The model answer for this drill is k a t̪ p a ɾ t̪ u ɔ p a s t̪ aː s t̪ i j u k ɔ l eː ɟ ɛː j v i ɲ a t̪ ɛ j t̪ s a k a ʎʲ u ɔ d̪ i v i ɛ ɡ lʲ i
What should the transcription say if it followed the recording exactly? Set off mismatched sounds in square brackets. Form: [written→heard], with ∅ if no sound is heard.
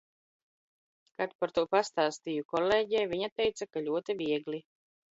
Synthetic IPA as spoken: k a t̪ p a ɾ t̪ u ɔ p a s t̪ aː s t̪ i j u k ɔ l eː ɟ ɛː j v i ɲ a t̪ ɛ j t̪ s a k a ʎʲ u ɔ [d̪→t̪] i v i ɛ ɡ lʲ i